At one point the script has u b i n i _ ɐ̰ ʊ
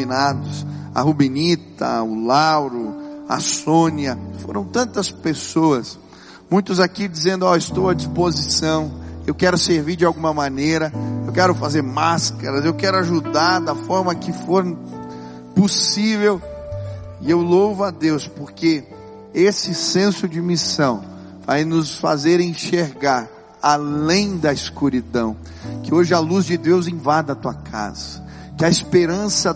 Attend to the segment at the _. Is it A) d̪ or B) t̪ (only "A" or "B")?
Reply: B